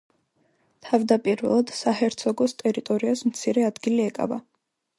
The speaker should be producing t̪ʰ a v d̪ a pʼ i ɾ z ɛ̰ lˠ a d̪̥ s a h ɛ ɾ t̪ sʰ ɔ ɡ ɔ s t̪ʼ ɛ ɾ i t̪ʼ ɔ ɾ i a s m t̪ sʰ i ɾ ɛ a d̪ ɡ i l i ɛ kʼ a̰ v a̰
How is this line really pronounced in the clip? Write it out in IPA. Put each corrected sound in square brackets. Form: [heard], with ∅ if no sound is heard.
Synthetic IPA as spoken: t̪ʰ a v d̪ a pʼ i ɾ [v] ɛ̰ lˠ a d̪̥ s a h ɛ ɾ t̪ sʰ ɔ ɡ ɔ s t̪ʼ ɛ ɾ i t̪ʼ ɔ ɾ i a s m t̪ sʰ i ɾ ɛ a d̪ ɡ i l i ɛ kʼ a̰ v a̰